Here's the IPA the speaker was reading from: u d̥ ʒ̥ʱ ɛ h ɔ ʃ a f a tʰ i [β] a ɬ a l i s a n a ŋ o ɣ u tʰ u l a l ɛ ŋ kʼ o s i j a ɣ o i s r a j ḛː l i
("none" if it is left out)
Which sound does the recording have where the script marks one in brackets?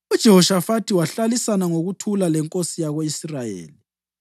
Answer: w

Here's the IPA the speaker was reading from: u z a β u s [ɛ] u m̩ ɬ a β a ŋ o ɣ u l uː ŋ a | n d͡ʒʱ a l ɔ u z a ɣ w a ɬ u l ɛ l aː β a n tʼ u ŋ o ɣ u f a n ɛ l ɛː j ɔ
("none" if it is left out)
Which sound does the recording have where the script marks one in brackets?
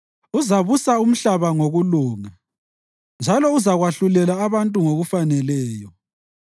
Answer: a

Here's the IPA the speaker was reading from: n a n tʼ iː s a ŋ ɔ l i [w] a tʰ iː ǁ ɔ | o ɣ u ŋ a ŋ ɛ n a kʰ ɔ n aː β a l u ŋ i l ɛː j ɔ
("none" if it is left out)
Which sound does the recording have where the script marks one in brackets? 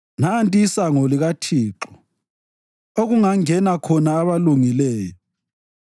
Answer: ɣ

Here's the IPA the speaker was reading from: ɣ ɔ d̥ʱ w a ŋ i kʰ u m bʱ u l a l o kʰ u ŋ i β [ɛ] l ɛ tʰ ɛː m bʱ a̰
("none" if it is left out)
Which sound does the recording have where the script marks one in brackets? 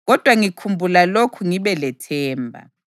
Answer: ɛ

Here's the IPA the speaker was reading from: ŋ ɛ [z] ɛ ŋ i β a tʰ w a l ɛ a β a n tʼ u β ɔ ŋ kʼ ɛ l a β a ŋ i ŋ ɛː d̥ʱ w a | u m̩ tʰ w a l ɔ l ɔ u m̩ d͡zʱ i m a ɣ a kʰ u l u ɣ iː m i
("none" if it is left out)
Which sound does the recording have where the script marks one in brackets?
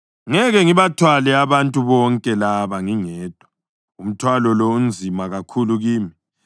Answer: ɣ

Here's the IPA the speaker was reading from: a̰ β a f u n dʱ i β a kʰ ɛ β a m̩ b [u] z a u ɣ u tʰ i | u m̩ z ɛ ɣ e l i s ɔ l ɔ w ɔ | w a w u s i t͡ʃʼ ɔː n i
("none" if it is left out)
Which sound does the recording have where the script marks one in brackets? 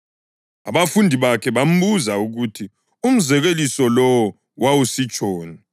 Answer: u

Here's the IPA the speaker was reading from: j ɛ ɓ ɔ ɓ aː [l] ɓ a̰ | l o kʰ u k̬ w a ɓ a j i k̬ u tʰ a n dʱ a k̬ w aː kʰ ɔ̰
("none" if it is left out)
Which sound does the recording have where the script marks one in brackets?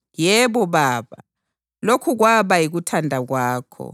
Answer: none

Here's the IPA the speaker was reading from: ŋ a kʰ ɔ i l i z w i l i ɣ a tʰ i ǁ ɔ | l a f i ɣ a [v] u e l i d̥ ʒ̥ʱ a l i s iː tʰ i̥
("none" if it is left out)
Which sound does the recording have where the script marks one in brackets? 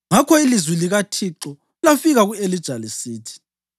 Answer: ɣ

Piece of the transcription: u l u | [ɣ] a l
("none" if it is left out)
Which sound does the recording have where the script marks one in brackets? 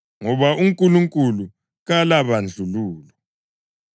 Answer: ɣ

